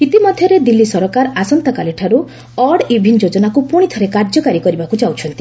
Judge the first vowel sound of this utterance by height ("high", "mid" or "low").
high